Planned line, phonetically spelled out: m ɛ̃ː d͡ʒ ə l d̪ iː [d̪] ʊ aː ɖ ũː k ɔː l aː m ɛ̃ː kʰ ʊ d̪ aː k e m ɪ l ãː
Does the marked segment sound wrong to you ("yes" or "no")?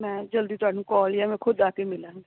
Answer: yes